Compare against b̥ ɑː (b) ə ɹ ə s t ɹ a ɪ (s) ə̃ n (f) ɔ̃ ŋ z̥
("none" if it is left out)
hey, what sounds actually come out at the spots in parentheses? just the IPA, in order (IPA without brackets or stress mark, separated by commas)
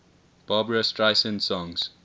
b, s, s